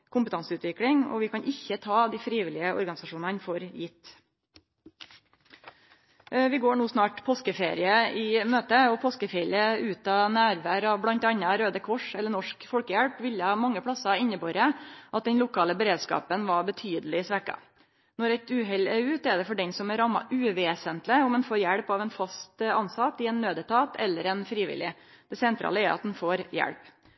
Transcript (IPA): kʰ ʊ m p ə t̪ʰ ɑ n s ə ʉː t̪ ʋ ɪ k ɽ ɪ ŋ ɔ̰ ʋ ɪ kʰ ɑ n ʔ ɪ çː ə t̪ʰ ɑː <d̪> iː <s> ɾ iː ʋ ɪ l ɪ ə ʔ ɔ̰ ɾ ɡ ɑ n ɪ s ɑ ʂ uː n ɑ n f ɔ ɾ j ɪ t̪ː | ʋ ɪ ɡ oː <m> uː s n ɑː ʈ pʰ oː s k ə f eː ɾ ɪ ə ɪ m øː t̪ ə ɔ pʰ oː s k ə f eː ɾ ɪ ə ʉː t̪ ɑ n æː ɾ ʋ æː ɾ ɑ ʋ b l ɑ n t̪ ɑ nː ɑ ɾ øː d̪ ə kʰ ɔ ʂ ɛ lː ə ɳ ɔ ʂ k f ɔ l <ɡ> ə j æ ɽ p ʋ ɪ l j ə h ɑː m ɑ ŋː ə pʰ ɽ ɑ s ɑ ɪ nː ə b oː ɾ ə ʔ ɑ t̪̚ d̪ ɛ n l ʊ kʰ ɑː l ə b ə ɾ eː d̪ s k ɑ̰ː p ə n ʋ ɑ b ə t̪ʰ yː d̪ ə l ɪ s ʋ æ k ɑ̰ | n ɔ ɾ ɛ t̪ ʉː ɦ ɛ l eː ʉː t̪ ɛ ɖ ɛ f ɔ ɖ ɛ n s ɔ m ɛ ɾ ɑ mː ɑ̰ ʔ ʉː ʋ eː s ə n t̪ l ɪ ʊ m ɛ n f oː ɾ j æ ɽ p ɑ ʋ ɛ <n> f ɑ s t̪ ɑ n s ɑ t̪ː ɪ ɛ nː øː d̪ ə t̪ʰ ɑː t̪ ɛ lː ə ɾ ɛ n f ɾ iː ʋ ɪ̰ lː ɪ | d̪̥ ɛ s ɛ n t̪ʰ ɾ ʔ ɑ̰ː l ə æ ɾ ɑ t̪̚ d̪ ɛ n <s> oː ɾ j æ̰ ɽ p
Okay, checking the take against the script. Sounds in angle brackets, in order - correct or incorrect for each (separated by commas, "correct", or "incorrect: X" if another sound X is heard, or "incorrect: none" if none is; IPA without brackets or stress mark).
correct, incorrect: f, incorrect: ɳ, incorrect: k, correct, incorrect: f